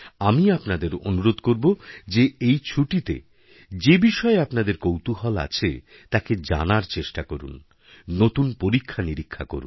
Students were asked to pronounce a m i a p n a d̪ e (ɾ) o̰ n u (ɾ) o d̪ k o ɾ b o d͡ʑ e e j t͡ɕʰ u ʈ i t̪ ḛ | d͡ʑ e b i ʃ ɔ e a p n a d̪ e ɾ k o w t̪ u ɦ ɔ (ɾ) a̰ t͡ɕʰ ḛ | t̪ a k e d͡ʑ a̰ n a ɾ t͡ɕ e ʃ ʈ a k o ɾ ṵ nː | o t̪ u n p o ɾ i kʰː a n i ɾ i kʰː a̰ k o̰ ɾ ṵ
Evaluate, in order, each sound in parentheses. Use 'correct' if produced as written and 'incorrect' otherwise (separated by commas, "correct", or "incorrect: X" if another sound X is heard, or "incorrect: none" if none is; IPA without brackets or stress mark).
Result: correct, correct, incorrect: l